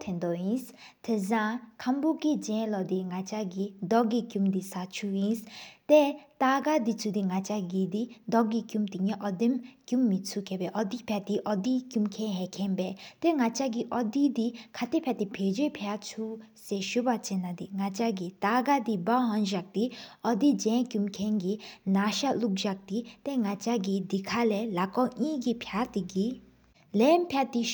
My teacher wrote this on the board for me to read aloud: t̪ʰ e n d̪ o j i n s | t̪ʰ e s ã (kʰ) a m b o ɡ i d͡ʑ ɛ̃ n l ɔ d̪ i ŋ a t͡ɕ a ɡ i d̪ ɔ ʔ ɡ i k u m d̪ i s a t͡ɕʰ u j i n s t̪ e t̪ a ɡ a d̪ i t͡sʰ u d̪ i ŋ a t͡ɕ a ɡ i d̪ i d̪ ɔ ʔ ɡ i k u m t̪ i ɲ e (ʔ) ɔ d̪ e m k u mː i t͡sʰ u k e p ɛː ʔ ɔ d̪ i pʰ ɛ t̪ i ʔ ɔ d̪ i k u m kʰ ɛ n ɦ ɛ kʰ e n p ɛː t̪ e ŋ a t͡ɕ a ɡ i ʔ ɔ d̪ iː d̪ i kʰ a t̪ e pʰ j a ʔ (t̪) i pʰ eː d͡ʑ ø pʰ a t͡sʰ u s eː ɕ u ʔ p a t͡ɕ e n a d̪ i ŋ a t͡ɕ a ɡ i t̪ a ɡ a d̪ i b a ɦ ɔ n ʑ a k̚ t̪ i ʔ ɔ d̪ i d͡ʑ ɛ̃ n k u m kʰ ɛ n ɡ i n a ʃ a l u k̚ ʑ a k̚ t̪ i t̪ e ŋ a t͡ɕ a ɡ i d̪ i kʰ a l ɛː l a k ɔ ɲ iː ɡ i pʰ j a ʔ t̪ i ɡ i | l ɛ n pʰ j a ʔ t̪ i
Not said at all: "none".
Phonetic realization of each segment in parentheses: kʰ, ʔ, t̪

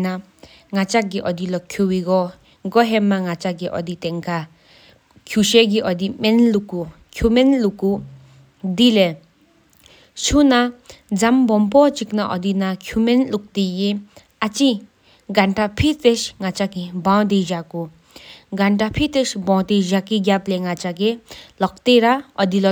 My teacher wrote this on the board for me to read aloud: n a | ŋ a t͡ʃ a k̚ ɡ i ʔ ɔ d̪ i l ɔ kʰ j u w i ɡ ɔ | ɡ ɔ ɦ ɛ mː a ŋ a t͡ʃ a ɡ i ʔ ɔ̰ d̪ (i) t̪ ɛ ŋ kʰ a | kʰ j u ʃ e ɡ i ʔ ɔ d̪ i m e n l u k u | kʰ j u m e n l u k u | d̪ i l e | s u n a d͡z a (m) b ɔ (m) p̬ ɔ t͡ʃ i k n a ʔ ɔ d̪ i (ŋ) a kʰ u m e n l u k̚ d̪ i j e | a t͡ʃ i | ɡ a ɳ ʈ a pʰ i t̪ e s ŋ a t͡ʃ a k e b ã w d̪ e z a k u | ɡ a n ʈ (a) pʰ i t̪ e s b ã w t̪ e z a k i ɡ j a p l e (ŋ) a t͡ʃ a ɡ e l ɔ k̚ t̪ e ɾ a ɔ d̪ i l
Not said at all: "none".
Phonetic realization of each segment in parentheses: i, m, m, n, a, ŋ

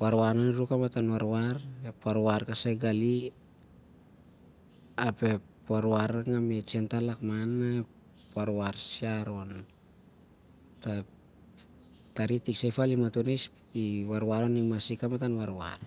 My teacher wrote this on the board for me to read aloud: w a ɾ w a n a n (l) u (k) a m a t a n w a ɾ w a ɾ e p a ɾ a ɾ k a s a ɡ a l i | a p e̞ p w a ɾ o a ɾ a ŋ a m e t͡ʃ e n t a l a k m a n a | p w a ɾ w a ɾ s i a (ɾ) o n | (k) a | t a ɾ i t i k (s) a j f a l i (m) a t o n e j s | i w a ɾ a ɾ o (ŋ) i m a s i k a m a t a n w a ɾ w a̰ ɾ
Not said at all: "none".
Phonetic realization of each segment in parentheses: ɾ, k, ɾ, t, s, m, n

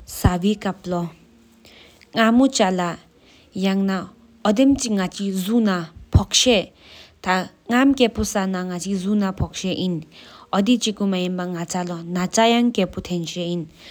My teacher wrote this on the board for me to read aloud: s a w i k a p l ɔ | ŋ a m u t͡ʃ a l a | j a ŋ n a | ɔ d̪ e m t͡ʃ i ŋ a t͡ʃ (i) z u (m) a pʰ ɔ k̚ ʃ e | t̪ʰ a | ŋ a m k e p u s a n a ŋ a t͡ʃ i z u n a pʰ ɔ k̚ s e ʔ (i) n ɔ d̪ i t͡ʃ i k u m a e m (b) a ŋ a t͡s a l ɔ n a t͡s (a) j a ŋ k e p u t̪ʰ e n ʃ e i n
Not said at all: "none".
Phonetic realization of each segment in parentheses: i, n, i, b, a

